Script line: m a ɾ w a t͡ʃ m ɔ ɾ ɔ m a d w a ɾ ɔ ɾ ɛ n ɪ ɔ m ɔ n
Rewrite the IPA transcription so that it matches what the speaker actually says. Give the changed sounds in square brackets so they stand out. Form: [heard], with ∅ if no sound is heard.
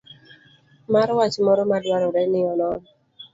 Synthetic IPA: m a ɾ w a t͡ʃ m ɔ ɾ ɔ m a d w a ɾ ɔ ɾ ɛ n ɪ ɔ [n] ɔ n